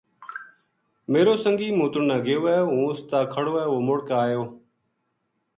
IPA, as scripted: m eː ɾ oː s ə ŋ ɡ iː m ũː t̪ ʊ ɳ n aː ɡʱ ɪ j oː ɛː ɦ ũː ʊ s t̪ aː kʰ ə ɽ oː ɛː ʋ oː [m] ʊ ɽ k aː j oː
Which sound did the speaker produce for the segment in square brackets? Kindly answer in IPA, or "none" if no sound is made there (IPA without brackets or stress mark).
m